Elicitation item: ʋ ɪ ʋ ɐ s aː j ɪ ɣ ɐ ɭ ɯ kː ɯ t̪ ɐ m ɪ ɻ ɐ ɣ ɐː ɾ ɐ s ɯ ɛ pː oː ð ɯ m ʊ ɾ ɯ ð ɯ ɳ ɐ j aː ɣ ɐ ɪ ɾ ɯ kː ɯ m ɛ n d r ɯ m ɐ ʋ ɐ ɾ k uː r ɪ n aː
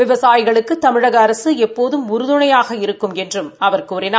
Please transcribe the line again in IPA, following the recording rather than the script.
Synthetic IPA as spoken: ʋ ɪ ʋ ɐ s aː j ɪ ɣ ɐ ɭ ɯ kː ɯ t̪ ɐ m ɪ ɻ ɐ ɣ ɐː ɾ ɐ s ɯ ɛ pː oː ð ɯ m ʊ ɾ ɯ ð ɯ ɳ ɐ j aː ɣ ɐ ɪ ɾ ɯ kː ɯ m ɛ n d r ɯ m ɐ ʋ ɐ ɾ k uː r ɪ n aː